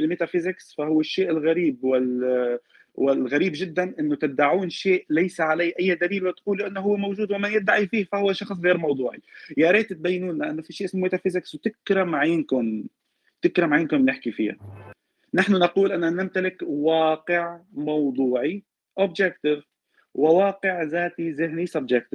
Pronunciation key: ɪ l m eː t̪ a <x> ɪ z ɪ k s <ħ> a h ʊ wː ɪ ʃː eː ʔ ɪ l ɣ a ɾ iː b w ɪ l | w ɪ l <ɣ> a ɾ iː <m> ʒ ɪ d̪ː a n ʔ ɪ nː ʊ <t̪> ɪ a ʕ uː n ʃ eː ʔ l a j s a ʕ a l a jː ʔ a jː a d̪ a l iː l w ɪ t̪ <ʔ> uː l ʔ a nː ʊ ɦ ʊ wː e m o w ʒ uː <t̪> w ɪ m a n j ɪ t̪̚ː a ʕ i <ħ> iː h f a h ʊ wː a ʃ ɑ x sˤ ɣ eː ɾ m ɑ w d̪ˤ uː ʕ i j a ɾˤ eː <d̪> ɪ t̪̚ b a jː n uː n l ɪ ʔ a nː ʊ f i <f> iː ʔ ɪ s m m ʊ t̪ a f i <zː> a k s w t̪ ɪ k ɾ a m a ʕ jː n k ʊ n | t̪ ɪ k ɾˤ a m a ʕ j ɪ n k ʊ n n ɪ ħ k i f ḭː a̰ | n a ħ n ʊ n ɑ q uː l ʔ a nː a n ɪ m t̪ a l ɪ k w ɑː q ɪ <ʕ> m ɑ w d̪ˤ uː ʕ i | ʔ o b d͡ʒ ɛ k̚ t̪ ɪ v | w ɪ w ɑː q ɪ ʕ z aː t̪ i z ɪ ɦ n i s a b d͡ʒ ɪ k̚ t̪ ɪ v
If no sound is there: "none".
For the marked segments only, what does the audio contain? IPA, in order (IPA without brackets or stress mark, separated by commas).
f, f, ɣ, b, t̪, q, d̪, f, t̪, ʃ, z, ʕ